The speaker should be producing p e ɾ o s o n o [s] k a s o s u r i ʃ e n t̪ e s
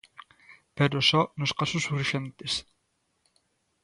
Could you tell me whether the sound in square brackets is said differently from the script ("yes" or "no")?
no